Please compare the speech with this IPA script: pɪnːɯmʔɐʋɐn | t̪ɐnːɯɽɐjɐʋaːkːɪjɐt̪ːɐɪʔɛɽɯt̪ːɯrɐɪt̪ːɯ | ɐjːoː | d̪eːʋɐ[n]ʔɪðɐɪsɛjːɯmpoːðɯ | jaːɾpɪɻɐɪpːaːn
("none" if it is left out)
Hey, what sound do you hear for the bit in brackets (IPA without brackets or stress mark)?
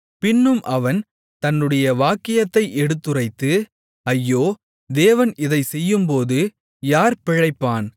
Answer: n